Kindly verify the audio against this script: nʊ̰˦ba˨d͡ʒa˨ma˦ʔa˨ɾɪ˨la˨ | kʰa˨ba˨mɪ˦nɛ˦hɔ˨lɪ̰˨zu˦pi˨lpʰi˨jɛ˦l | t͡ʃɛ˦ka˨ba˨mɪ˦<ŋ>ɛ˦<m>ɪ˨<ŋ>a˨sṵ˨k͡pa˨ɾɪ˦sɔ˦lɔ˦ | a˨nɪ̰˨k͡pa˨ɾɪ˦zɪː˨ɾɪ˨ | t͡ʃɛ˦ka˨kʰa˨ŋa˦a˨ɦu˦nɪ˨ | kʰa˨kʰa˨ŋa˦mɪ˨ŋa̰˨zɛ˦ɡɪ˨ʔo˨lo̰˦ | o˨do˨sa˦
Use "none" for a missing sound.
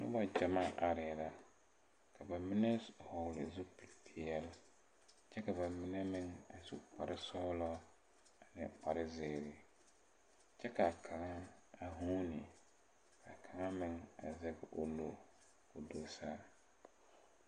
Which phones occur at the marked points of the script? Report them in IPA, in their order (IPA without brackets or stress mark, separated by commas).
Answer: n, m, ŋ